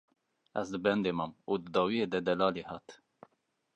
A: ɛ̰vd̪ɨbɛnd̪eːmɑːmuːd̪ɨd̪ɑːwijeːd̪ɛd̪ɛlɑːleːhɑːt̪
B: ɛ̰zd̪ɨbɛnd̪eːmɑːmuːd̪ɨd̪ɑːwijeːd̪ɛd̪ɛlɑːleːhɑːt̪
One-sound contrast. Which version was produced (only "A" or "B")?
B